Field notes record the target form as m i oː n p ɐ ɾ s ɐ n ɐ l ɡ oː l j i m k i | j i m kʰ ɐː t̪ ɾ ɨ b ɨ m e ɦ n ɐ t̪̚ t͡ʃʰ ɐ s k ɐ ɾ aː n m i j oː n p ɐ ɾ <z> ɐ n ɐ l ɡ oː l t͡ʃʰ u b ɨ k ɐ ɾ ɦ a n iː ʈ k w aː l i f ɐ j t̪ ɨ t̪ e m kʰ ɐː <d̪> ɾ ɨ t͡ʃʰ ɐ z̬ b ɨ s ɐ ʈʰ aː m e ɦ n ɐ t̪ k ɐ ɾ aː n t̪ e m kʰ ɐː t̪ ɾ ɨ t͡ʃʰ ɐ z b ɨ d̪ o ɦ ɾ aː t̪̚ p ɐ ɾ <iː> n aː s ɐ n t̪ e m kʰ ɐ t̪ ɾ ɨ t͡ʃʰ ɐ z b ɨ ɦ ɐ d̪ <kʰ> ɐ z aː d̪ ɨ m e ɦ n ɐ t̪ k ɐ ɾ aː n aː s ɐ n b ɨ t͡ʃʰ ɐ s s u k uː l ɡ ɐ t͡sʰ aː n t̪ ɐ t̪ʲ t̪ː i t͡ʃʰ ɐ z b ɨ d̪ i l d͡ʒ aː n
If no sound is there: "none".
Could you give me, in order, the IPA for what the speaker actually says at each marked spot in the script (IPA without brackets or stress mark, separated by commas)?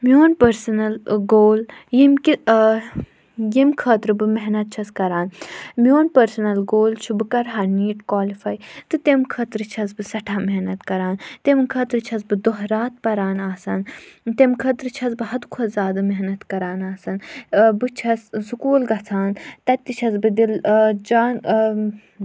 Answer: s, t̪, aː, kʰ